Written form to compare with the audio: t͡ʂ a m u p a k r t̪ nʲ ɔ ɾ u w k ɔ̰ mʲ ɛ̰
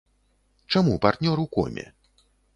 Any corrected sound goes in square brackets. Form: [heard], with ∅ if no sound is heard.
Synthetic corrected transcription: t͡ʂ a m u p a [∅] r t̪ nʲ ɔ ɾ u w k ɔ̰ mʲ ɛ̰